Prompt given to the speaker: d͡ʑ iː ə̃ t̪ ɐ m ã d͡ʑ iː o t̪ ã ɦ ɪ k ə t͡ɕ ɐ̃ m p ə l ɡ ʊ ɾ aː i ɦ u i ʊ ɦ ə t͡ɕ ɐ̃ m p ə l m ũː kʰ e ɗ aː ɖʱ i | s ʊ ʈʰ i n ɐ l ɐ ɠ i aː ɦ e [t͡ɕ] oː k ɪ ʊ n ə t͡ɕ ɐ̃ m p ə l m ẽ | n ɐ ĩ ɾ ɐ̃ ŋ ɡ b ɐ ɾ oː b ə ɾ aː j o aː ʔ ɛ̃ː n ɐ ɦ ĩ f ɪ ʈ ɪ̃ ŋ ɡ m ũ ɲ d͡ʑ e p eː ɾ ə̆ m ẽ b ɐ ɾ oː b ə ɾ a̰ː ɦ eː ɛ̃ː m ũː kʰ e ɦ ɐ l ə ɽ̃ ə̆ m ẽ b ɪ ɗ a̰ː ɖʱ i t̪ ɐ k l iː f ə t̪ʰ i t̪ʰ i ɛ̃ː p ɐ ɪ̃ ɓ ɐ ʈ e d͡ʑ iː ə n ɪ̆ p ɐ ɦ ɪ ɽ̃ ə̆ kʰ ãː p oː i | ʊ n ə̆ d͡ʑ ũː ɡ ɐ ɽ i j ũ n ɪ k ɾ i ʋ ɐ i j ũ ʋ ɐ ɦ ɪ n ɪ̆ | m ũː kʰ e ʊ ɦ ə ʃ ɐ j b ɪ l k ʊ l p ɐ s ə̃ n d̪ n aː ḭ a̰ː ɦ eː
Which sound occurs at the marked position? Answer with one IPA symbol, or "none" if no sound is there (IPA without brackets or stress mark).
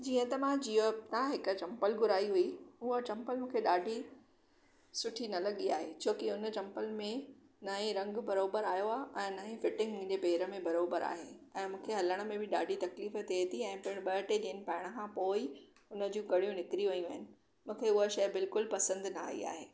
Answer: t͡ɕʰ